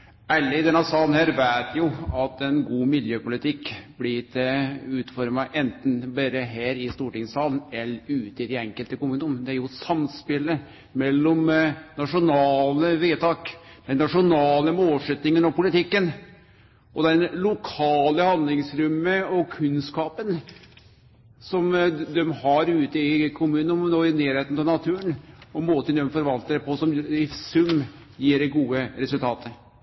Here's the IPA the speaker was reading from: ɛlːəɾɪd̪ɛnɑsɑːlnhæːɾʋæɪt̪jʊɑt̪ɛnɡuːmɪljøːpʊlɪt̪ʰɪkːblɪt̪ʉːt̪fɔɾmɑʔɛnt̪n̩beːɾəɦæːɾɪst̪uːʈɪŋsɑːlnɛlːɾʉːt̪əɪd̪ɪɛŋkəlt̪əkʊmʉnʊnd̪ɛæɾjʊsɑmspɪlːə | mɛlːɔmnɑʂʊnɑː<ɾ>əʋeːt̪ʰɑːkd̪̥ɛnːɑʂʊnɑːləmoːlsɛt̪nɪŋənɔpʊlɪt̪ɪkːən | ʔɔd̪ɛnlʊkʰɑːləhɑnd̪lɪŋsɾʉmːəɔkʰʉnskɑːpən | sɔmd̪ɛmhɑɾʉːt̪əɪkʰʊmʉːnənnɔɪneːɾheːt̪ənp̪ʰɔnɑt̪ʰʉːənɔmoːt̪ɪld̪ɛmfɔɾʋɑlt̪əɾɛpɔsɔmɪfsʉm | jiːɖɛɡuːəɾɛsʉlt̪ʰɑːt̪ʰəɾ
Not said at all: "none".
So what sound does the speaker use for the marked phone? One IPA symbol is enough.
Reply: l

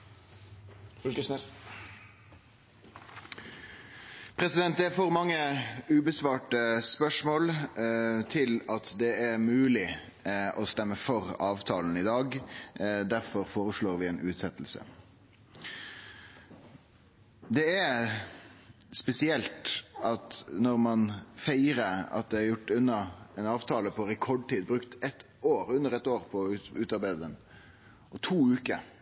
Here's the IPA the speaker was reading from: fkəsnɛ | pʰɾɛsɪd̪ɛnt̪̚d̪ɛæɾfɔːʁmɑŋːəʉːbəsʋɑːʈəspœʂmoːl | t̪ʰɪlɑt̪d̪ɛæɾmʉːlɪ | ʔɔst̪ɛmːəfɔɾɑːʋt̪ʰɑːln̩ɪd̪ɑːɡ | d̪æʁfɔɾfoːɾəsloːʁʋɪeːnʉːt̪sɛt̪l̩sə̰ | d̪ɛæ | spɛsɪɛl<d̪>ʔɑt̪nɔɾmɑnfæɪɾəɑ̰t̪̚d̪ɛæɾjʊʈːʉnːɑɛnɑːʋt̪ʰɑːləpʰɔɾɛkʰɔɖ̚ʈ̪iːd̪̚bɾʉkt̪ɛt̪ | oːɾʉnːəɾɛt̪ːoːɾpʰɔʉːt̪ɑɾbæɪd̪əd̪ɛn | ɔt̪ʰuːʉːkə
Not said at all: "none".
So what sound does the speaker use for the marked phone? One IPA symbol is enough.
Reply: t̪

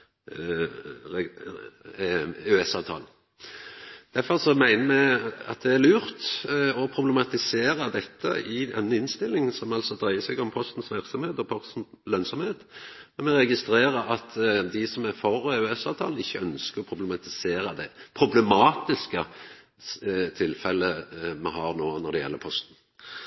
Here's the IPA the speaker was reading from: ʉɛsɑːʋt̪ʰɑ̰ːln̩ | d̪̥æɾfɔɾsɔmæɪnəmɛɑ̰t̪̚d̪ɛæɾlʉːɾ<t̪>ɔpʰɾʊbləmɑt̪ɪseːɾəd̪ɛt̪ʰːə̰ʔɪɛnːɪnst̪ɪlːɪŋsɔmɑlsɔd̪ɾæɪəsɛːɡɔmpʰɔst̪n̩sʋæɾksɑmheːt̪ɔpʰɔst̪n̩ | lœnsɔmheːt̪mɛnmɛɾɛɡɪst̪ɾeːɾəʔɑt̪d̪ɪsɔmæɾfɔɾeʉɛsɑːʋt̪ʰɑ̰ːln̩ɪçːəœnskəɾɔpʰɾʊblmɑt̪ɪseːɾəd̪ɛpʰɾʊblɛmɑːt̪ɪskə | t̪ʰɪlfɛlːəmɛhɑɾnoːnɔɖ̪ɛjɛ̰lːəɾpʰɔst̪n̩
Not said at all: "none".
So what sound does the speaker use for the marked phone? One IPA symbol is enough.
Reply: t̪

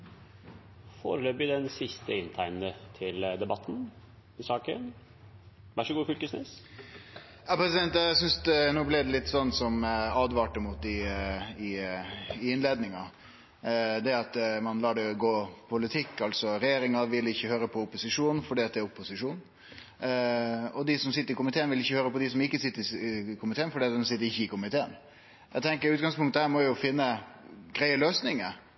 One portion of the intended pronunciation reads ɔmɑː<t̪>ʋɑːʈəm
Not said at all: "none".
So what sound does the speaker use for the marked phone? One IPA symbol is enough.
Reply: d̪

